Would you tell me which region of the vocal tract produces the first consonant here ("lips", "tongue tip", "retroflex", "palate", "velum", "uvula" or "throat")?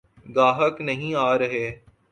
velum